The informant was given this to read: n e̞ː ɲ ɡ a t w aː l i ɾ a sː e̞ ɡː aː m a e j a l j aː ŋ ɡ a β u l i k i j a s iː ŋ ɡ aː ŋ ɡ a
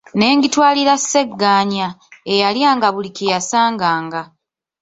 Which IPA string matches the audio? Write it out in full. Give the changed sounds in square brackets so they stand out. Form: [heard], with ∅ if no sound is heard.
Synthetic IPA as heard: n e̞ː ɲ ɡ [i] t w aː l i ɾ a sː e̞ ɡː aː [ɲ] a e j a l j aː ŋ ɡ a β u l i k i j a s [aː] ŋ ɡ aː ŋ ɡ a